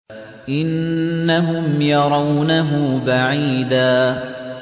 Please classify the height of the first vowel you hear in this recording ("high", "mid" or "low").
high